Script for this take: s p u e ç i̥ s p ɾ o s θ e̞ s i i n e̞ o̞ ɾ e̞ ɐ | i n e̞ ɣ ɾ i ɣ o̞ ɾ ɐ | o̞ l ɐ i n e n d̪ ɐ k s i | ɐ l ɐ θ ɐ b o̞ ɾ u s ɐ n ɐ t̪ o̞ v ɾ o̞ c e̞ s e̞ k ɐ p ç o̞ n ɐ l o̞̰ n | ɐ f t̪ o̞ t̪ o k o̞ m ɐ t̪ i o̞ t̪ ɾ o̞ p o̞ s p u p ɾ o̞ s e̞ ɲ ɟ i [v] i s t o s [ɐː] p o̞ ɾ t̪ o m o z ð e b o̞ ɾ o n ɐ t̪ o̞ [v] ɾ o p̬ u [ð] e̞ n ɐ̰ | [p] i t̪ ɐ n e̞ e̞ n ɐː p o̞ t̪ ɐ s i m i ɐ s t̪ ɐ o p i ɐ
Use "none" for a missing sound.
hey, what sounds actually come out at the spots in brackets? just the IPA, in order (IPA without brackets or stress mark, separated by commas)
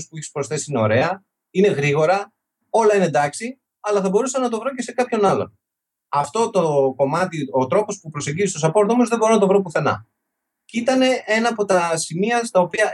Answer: z, ɐ, v, θ, c